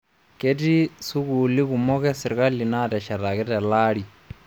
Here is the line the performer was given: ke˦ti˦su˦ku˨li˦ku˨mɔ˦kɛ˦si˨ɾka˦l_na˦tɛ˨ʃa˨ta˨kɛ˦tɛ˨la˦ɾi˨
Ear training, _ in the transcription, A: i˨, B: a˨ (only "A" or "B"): A